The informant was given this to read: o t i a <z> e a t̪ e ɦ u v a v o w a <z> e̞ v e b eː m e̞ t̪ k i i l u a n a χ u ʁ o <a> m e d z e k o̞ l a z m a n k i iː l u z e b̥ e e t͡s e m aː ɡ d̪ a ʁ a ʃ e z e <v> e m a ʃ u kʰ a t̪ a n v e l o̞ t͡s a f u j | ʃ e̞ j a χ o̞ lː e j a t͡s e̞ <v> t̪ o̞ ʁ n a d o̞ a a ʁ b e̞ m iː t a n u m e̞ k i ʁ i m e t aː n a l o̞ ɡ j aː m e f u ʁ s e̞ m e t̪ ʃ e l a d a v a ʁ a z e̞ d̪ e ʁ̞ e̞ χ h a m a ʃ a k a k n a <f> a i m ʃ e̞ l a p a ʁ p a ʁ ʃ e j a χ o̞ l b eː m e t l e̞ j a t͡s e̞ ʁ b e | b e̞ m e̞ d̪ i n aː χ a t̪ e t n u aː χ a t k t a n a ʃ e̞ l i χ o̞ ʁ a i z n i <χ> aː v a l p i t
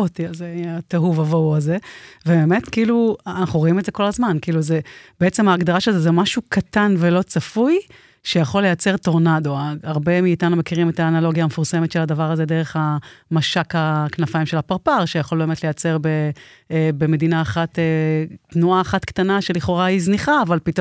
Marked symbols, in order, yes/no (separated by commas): yes, yes, no, no, no, yes, yes